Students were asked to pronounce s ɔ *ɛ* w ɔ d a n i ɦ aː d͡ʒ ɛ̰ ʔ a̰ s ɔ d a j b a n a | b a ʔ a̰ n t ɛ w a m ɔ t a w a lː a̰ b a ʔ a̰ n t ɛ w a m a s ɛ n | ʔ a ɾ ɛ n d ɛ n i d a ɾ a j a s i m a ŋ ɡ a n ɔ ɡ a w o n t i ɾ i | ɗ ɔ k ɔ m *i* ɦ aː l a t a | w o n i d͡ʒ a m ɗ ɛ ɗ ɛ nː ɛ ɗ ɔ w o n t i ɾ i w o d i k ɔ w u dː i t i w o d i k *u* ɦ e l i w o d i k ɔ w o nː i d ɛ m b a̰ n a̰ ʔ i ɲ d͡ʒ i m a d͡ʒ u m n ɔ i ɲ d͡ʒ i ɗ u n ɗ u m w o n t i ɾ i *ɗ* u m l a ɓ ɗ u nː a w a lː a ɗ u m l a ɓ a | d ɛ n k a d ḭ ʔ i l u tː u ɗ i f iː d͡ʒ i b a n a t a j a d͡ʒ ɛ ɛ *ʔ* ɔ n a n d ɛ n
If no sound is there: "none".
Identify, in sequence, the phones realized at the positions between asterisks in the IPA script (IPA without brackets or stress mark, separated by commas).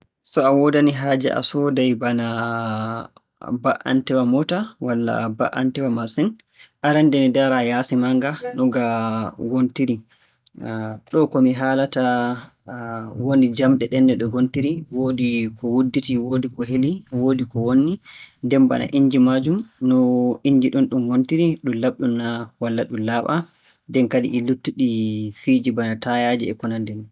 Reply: a, i, ɔ, ɗ, k